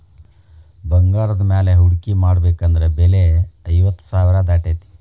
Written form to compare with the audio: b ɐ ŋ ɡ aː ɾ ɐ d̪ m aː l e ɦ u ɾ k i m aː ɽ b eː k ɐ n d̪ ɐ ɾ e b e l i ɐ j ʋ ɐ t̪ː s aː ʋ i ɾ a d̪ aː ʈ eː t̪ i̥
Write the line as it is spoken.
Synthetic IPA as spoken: b ɐ ŋ ɡ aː ɾ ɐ d̪ m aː l e ɦ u ɽ k i m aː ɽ b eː k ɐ n d̪ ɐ ɾ e b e l e ɐ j ʋ ɐ t̪ː s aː ʋ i ɾ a d̪ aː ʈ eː t̪ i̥